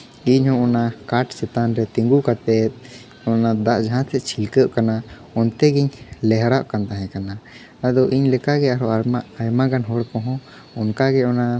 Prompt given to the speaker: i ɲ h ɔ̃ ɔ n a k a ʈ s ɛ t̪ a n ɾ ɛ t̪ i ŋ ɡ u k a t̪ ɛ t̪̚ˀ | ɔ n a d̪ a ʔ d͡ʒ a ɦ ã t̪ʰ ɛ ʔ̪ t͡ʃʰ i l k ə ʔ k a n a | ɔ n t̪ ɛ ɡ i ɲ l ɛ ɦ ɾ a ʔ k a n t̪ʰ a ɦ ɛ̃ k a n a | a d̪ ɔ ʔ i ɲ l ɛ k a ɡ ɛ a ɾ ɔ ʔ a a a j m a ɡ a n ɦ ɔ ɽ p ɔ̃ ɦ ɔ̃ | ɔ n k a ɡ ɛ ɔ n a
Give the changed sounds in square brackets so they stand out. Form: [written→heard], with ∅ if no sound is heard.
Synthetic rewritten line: i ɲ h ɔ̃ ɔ n a k a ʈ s ɛ t̪ a n ɾ ɛ t̪ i ŋ ɡ u k a t̪ ɛ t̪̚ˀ | ɔ n a d̪ a ʔ d͡ʒ a ɦ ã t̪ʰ ɛ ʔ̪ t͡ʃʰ i l k ə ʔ k a n a | ɔ n t̪ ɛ ɡ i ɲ l ɛ ɦ ɾ a ʔ k a n [t̪ʰ→t̪] a ɦ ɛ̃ k a n a | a d̪ ɔ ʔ i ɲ l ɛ k a ɡ ɛ a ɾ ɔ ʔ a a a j m a ɡ a n ɦ ɔ ɽ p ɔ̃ ɦ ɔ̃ | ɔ n k a ɡ ɛ ɔ n a